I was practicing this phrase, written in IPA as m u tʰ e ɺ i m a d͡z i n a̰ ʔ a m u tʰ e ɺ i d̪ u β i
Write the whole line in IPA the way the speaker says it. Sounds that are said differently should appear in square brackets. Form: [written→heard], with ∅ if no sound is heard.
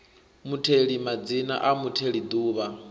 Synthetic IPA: m u tʰ e ɺ i m a d͡z i n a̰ ʔ a m u tʰ e ɺ i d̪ [u→uː] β [i→a]